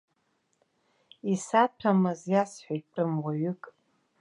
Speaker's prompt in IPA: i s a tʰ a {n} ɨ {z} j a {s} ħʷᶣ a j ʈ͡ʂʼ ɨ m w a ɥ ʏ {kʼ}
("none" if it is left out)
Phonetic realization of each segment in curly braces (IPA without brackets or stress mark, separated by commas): m, z, s, kʼ